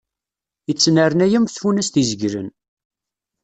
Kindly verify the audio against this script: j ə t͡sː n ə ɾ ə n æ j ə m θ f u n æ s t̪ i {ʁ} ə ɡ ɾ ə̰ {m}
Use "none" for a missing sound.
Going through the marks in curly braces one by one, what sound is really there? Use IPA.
z, n

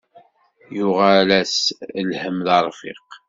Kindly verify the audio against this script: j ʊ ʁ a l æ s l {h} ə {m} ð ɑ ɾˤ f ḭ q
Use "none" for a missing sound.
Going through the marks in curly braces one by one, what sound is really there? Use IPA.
h, m

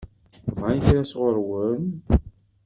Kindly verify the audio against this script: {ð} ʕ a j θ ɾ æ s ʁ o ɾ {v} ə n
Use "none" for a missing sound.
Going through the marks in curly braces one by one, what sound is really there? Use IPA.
v, w

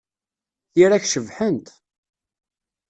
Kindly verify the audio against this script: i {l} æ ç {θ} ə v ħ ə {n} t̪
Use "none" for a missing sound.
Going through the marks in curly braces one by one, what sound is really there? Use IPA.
ɾ, ʃ, n

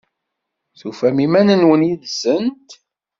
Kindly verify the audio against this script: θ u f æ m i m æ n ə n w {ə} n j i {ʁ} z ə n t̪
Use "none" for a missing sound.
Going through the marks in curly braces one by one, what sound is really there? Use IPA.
ə, ð

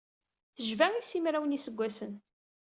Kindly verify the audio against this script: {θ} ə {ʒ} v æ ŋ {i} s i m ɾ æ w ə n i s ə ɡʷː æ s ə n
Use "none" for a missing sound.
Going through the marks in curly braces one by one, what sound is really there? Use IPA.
θ, ʒ, i

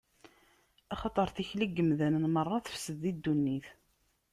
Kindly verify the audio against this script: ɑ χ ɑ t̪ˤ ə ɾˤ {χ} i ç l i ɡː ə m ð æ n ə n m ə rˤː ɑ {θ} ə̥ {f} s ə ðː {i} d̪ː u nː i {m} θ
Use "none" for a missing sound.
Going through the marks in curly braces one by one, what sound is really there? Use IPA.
θ, θ, f, i, none

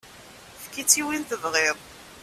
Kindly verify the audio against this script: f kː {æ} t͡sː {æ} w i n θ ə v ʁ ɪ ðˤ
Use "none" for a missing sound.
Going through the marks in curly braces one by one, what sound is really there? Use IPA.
i, i

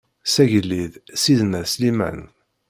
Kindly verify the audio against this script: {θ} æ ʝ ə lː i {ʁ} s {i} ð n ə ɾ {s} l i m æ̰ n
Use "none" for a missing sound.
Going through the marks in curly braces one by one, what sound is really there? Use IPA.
s, ð, i, s

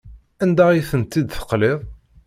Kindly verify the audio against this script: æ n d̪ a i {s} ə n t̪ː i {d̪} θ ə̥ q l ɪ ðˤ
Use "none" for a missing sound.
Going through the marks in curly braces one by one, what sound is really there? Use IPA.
θ, d̪

